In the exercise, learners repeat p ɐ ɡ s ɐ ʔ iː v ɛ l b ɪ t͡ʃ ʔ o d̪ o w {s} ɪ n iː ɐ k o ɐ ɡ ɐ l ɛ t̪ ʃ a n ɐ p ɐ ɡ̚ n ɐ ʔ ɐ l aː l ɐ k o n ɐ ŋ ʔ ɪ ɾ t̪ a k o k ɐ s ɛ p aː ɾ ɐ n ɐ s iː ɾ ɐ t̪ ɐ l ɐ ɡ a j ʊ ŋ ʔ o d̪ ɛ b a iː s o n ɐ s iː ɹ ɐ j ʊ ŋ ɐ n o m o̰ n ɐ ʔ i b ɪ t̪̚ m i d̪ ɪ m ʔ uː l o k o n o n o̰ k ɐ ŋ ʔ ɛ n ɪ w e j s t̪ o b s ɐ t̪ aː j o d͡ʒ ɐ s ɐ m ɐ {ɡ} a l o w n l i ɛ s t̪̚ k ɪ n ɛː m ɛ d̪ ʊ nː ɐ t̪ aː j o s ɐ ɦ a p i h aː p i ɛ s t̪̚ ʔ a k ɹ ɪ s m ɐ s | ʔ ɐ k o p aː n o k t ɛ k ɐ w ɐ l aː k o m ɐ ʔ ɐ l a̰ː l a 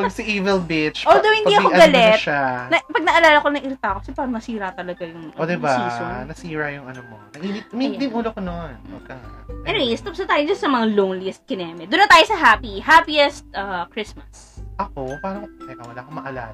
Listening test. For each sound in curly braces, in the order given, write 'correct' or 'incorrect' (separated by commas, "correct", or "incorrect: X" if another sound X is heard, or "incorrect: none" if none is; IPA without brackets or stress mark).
incorrect: h, incorrect: ŋ